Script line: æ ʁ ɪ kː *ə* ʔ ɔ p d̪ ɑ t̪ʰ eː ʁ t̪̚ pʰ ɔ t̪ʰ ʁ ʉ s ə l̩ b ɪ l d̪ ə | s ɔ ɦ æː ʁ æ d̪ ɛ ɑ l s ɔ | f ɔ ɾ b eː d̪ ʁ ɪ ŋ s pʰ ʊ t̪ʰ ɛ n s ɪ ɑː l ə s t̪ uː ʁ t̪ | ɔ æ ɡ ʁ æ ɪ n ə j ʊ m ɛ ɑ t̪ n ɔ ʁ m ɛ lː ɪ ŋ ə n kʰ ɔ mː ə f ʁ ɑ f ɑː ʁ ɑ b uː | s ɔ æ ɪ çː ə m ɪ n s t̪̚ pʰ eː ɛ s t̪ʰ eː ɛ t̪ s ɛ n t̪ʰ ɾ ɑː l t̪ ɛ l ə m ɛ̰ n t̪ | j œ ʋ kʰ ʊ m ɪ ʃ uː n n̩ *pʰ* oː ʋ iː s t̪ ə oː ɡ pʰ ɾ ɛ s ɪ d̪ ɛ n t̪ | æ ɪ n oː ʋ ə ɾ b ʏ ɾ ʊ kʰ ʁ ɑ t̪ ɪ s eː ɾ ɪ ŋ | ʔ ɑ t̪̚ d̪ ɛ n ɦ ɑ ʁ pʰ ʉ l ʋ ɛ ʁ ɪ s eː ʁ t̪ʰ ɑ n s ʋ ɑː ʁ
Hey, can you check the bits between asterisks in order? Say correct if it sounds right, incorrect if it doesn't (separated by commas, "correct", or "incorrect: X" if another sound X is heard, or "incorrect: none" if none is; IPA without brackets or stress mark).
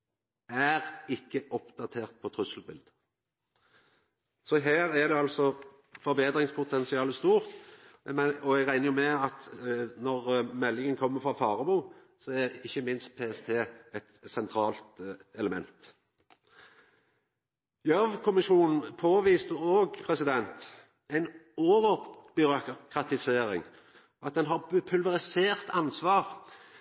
correct, correct